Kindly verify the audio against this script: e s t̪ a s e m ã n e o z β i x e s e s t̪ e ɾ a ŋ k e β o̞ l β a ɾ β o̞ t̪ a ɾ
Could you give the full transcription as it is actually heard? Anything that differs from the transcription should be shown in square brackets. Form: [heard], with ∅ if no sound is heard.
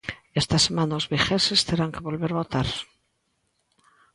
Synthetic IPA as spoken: e s t̪ a s e m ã n [a] o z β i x e s e s t̪ e ɾ a ŋ k e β o̞ l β [e] ɾ β o̞ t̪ a ɾ